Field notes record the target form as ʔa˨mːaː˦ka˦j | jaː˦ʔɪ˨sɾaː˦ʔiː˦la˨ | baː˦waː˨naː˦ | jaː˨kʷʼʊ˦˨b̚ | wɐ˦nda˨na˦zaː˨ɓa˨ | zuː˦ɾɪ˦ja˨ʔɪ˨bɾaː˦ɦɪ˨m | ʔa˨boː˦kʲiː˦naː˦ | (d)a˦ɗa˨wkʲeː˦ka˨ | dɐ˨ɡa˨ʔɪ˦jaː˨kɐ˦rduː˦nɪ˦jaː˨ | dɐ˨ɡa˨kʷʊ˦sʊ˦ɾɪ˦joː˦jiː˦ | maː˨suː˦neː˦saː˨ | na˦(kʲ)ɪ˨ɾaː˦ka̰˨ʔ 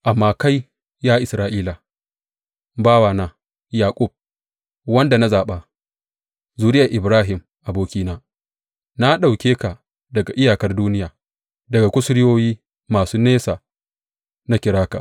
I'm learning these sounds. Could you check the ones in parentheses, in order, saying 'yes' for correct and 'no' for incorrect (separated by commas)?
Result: no, yes